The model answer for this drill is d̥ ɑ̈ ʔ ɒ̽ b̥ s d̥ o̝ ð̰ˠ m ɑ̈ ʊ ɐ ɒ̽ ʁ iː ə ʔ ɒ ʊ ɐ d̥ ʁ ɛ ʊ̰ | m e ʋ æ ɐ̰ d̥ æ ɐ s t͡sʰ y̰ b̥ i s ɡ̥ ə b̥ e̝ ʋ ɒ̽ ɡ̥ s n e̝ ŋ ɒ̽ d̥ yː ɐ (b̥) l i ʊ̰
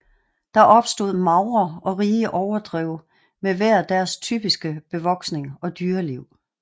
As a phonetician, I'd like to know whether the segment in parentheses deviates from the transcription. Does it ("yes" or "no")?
yes